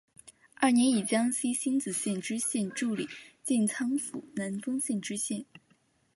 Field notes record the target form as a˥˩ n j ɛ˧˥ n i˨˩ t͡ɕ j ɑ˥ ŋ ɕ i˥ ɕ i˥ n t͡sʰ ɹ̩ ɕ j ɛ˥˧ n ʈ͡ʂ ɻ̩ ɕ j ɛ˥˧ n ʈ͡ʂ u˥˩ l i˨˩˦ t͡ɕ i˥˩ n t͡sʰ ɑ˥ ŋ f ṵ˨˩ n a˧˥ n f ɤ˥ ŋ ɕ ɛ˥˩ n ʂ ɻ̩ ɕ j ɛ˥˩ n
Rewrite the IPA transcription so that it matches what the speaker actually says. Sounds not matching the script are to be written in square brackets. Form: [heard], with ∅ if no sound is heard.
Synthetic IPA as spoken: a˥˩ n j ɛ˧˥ n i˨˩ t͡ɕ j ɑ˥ ŋ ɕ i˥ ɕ i˥ n [t͡s] ɹ̩ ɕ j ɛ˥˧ n ʈ͡ʂ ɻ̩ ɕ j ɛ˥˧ n ʈ͡ʂ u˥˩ l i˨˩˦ t͡ɕ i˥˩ n t͡sʰ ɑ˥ ŋ f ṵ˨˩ n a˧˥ n f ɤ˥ ŋ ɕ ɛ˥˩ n [ʈ͡ʂ] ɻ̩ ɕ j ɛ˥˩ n

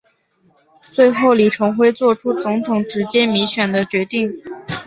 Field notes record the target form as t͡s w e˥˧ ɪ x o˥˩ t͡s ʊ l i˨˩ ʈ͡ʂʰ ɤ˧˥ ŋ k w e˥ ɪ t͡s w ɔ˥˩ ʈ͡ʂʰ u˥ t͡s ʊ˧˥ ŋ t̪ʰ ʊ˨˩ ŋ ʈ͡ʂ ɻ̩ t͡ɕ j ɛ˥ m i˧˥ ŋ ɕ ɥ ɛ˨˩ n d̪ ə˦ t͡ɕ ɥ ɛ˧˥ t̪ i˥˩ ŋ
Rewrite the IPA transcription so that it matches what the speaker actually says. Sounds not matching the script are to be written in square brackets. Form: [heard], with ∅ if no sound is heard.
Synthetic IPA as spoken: t͡s w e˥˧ ɪ x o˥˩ [∅] ʊ l i˨˩ ʈ͡ʂʰ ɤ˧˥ ŋ [x] w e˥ ɪ t͡s w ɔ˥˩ ʈ͡ʂʰ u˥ t͡s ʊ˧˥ ŋ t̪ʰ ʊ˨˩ ŋ ʈ͡ʂ ɻ̩ t͡ɕ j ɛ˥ m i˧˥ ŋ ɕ ɥ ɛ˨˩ n d̪ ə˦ t͡ɕ ɥ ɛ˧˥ t̪ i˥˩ ŋ

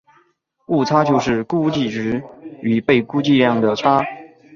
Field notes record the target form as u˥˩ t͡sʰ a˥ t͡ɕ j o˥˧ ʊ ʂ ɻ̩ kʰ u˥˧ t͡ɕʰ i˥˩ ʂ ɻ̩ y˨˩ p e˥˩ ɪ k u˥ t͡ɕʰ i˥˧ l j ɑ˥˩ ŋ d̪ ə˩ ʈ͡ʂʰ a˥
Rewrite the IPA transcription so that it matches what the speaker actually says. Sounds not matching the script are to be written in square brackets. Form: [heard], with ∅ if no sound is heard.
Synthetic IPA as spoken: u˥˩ t͡sʰ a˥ t͡ɕ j o˥˧ ʊ ʂ ɻ̩ [k] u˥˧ [t͡ɕ] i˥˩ [ʈ͡ʂ] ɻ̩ y˨˩ p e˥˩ ɪ k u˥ [t͡ɕ] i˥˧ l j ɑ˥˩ ŋ d̪ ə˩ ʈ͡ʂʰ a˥

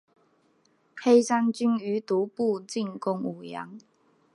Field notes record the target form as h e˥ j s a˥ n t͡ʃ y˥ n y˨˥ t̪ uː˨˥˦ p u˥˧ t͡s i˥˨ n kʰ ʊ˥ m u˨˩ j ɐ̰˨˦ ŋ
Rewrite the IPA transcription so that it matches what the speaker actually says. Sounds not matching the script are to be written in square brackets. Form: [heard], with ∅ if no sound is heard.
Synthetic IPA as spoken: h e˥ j s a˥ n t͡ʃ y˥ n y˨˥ t̪ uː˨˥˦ p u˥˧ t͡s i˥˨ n [k] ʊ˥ [ŋ] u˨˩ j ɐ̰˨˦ ŋ

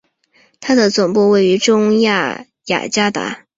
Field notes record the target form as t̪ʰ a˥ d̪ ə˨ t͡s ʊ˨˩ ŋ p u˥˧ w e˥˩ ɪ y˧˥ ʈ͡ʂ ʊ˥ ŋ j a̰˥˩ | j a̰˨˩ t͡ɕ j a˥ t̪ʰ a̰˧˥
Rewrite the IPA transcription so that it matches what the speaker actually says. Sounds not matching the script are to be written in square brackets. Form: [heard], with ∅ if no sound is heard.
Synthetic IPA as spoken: t̪ʰ a˥ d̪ ə˨ t͡s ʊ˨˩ ŋ p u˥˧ w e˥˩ ɪ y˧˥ ʈ͡ʂ ʊ˥ ŋ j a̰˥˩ | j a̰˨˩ t͡ɕ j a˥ [t̪] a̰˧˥

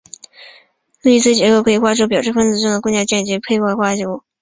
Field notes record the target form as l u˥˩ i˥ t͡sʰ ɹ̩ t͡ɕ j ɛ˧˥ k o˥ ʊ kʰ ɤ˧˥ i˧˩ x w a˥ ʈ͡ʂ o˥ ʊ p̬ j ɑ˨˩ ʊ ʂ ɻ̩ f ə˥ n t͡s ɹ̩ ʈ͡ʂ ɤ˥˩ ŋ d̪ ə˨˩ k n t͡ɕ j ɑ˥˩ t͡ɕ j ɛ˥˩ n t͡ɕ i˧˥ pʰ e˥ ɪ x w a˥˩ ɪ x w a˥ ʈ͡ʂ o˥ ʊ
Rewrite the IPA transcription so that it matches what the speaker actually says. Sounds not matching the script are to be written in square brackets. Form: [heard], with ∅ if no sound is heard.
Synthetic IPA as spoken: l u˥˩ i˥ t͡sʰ ɹ̩ t͡ɕ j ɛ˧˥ k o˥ ʊ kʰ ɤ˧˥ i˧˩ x w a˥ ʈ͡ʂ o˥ ʊ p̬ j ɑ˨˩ ʊ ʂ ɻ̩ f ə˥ n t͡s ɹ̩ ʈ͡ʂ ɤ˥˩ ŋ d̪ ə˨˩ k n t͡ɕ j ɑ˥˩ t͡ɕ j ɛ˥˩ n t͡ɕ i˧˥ pʰ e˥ ɪ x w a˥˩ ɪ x w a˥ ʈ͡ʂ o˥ ʊ

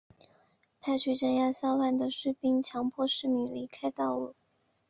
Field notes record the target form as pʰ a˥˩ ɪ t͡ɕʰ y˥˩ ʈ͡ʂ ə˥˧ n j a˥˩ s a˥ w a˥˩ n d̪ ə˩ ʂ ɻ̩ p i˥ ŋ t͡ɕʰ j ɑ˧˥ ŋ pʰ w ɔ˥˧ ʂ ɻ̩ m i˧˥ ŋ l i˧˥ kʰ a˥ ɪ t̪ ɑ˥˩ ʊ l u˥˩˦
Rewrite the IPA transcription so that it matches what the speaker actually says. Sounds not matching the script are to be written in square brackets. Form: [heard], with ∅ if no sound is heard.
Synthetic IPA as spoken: pʰ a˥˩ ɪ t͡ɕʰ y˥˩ ʈ͡ʂ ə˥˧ n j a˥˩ s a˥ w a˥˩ n d̪ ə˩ ʂ ɻ̩ p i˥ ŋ t͡ɕʰ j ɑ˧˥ ŋ pʰ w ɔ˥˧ ʂ ɻ̩ m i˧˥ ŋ l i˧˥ kʰ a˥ ɪ t̪ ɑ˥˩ ʊ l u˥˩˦

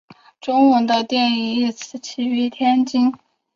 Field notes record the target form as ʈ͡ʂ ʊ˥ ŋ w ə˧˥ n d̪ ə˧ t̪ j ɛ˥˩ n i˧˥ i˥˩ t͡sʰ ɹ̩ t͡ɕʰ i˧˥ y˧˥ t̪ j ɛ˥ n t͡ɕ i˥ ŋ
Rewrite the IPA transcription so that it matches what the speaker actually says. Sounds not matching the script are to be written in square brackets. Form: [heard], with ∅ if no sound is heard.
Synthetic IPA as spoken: ʈ͡ʂ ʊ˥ ŋ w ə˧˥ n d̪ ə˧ t̪ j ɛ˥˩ n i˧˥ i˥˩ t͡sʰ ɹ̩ t͡ɕʰ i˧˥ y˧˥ [t̪ʰ] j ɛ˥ n t͡ɕ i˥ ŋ

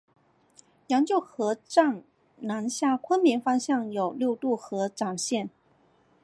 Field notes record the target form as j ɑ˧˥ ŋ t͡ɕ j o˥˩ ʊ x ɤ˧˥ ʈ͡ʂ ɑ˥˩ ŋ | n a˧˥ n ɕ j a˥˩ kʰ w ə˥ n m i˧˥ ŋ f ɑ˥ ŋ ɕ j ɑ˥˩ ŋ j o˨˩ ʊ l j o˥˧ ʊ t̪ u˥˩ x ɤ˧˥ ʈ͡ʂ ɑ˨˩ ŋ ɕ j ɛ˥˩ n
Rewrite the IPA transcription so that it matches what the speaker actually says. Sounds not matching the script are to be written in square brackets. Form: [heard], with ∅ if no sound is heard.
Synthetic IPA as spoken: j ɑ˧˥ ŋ t͡ɕ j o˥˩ ʊ x ɤ˧˥ ʈ͡ʂ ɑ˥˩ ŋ | n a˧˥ n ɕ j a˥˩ kʰ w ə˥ n m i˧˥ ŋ f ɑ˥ ŋ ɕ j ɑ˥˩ ŋ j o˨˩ ʊ l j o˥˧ ʊ t̪ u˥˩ x ɤ˧˥ ʈ͡ʂ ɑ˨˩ ŋ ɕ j ɛ˥˩ n

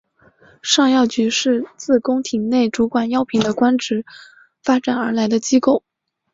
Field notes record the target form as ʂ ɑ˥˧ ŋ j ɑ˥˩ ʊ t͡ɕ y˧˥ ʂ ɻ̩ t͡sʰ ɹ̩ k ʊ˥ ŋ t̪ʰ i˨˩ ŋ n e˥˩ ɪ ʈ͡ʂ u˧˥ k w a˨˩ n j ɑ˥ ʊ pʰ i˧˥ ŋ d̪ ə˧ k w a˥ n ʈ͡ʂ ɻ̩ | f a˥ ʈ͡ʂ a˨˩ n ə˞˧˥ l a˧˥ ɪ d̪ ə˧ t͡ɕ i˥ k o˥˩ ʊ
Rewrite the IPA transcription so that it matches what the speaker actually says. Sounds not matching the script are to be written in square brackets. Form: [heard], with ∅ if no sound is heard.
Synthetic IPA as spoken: ʂ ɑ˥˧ ŋ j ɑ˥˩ ʊ t͡ɕ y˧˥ ʂ ɻ̩ [t͡s] ɹ̩ k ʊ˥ ŋ t̪ʰ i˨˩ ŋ n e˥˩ ɪ ʈ͡ʂ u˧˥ k w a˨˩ n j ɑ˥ ʊ pʰ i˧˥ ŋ d̪ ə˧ k w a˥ n ʈ͡ʂ ɻ̩ | f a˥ ʈ͡ʂ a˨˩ n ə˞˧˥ l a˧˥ ɪ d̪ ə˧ t͡ɕ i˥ k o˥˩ ʊ

